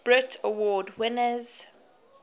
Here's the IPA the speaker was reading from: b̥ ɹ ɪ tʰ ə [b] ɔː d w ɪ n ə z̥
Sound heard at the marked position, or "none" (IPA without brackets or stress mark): w